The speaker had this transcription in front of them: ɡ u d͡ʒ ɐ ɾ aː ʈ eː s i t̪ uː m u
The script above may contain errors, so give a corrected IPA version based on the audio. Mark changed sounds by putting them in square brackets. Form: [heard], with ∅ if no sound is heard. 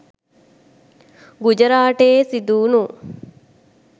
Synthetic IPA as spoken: ɡ u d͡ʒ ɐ ɾ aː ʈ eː s i [d̪] uː [n] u